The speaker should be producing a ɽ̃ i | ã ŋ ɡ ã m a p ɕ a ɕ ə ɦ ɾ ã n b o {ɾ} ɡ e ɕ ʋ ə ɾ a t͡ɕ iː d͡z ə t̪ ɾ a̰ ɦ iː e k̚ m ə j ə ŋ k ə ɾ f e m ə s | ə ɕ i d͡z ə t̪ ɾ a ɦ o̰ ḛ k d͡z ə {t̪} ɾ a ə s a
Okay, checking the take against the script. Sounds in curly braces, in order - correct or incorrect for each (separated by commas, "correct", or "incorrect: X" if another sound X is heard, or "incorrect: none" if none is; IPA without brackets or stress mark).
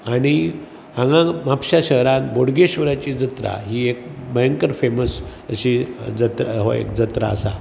incorrect: ɽ, correct